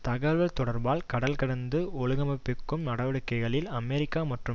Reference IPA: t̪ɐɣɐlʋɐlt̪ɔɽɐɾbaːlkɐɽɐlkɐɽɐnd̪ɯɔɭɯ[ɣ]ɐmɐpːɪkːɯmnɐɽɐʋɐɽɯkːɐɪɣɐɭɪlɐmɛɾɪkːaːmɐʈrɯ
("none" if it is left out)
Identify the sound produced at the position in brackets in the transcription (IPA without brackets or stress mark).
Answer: ɣ